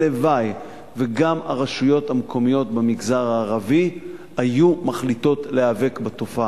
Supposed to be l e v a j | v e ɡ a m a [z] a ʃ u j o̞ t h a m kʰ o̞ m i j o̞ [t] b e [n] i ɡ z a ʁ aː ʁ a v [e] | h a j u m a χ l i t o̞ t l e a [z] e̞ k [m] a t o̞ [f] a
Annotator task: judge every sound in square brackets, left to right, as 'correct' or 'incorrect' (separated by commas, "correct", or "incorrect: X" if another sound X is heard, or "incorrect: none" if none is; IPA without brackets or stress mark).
incorrect: ʁ, correct, incorrect: m, incorrect: i, incorrect: v, incorrect: b, correct